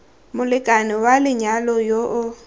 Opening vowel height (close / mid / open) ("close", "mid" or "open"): close